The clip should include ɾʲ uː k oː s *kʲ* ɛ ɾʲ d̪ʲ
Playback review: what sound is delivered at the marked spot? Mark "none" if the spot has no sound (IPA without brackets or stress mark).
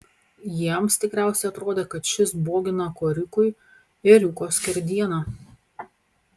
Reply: kʲ